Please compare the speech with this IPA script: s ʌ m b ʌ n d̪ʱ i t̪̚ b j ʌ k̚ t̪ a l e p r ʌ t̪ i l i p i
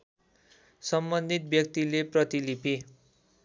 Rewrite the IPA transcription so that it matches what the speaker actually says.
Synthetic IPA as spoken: s ʌ m b ʌ n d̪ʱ i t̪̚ b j ʌ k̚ t̪ i l e p r ʌ t̪ i l i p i